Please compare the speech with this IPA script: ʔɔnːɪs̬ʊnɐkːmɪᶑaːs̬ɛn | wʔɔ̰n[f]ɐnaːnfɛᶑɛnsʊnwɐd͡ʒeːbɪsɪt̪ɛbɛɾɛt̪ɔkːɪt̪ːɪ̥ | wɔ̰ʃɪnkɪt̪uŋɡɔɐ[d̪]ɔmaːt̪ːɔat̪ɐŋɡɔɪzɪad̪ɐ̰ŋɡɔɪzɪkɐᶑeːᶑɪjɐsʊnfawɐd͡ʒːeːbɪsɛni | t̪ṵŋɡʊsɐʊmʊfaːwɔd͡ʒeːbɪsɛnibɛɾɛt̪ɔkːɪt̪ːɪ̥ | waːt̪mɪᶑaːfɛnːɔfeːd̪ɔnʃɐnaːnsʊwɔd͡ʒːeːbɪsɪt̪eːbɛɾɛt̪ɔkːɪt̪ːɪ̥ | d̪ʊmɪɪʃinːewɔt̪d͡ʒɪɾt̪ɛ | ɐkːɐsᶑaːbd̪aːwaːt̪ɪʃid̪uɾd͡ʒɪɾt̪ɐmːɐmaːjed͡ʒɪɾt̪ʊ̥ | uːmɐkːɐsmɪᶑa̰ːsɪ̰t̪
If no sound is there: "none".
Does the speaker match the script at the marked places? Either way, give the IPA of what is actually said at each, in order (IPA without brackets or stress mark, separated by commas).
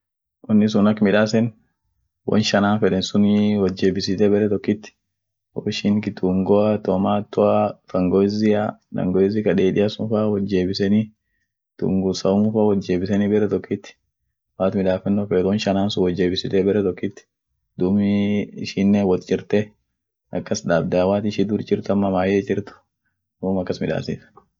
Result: ʃ, t̪